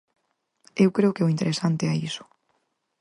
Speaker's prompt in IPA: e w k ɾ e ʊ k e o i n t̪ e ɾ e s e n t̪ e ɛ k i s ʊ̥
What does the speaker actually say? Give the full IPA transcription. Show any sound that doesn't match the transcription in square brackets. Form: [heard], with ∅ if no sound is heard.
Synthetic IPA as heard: e w k ɾ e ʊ k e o i n t̪ e ɾ e s [a] n t̪ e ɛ [∅] i s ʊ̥